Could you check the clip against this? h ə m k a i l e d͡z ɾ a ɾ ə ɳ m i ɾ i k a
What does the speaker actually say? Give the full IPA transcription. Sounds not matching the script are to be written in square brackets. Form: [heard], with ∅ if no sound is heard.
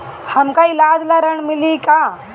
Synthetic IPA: h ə m k a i l [a] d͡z [l] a ɾ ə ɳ m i [l] i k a